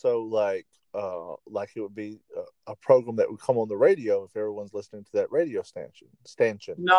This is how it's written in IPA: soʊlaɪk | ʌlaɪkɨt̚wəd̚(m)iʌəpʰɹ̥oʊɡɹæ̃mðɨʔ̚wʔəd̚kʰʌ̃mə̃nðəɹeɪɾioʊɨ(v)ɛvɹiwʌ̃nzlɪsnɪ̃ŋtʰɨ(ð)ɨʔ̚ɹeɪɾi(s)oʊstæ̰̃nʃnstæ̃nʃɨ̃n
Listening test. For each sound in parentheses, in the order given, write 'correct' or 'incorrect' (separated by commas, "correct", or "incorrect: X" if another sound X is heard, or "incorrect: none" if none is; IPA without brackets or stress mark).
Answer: incorrect: b, incorrect: f, correct, incorrect: none